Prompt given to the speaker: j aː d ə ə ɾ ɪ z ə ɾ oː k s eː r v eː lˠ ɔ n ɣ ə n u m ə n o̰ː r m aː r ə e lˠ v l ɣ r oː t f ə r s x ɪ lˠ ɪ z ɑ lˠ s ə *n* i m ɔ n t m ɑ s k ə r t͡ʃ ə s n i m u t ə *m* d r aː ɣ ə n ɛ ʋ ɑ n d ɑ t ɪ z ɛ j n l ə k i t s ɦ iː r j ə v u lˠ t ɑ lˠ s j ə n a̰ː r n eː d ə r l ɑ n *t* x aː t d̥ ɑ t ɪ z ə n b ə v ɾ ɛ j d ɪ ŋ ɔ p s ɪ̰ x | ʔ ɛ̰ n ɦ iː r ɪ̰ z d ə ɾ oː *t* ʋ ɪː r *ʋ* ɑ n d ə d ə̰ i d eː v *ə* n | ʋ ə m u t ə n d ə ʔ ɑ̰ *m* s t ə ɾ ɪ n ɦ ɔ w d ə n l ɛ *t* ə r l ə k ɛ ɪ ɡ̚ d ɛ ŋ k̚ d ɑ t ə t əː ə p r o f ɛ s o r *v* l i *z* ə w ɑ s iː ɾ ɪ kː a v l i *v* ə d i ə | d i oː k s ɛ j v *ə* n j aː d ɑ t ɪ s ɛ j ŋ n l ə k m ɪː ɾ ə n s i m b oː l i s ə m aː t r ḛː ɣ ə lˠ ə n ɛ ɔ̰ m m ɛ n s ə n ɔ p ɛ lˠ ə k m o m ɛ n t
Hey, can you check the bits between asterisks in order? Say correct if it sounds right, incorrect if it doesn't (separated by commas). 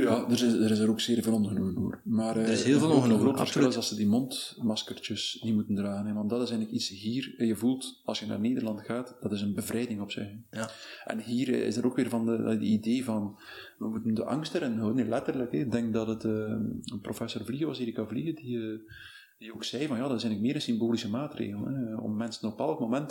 incorrect, incorrect, correct, incorrect, incorrect, incorrect, incorrect, correct, correct, incorrect, incorrect, incorrect